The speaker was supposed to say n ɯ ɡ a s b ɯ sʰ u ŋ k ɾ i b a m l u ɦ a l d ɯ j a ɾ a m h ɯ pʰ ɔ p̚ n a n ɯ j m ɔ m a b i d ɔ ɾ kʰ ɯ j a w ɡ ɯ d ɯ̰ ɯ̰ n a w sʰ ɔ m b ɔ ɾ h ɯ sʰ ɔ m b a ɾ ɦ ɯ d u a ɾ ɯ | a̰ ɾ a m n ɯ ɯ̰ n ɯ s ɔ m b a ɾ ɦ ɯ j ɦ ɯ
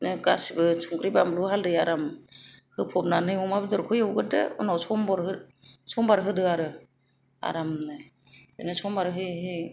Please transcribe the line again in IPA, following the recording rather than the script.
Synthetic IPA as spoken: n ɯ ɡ a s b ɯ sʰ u ŋ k ɾ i b a m l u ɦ a l d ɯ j a ɾ a m h ɯ pʰ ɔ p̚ n a n ɯ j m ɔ m a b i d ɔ ɾ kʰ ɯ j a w ɡ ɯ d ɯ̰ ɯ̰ n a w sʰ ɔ m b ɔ ɾ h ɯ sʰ ɔ m b a ɾ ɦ ɯ d ɯ a ɾ ɯ | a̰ ɾ a m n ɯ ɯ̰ n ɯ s ɔ m b a ɾ ɦ ɯ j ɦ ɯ